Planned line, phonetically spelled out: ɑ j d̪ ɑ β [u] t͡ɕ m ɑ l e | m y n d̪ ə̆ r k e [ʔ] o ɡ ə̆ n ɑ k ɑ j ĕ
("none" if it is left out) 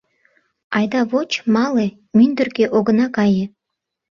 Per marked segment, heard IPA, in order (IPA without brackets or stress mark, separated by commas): o, ʔ